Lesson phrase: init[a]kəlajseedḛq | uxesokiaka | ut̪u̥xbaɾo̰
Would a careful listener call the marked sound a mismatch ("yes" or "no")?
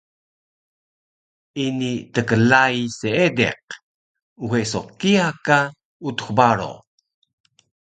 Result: yes